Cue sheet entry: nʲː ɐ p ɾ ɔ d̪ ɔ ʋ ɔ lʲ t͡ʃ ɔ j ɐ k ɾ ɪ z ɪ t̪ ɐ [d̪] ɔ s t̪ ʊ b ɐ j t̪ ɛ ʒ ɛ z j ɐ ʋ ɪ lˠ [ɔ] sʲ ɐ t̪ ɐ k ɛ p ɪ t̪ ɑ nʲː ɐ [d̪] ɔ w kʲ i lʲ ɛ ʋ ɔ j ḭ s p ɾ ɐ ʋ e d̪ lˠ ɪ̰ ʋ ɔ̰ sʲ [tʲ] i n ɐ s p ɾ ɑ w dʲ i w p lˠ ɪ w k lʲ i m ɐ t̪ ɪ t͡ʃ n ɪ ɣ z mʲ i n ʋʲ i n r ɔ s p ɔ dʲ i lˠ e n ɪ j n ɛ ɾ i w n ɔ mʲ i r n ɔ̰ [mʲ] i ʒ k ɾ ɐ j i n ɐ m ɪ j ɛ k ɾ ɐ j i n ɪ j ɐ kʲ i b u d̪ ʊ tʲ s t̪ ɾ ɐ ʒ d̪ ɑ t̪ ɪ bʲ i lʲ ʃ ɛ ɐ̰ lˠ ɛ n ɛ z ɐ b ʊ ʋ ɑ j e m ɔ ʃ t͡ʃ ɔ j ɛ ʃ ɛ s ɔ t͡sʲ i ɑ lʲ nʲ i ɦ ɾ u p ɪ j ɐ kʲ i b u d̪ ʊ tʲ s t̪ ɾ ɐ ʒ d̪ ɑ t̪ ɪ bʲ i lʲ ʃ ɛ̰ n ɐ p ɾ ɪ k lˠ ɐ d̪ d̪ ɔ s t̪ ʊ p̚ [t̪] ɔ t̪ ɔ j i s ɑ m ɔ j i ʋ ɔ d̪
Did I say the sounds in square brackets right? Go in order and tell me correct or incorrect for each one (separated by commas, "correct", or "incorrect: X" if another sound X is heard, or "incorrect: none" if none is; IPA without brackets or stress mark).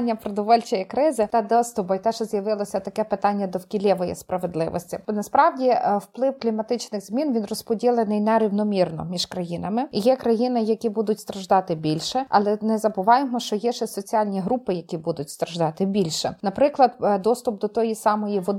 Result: correct, correct, correct, correct, correct, incorrect: d̪